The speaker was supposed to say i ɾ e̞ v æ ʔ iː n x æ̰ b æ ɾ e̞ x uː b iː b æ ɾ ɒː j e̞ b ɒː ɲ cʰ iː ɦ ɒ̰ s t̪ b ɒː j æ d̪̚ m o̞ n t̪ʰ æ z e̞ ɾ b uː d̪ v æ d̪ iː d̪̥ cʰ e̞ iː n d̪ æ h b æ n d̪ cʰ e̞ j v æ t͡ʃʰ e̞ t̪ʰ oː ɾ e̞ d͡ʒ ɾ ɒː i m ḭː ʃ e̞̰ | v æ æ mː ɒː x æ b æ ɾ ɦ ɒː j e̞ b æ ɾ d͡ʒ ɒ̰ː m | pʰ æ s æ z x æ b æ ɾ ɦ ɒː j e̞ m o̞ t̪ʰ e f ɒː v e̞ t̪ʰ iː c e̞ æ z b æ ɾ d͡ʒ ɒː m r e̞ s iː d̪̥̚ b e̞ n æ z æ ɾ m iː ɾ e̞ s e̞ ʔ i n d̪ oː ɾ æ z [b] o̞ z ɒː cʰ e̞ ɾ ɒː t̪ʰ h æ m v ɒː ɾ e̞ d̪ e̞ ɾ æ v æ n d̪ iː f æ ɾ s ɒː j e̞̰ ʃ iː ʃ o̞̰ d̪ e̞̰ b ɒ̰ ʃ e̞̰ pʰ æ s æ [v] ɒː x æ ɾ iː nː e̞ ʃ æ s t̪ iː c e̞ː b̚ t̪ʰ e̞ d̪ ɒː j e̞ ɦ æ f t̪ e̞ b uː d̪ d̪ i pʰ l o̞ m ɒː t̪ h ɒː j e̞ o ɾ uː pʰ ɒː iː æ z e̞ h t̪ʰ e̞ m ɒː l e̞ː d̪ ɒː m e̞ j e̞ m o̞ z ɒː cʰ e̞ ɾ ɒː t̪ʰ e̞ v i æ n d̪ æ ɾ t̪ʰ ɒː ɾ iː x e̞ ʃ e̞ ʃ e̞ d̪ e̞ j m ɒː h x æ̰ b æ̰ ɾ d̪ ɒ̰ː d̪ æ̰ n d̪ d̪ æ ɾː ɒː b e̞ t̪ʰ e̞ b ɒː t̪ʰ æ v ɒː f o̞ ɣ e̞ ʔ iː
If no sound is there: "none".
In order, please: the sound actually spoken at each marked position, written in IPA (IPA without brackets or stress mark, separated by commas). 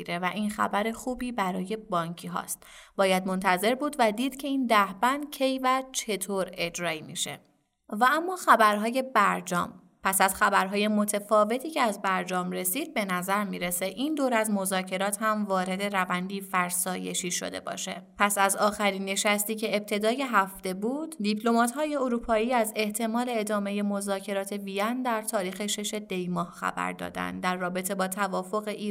m, z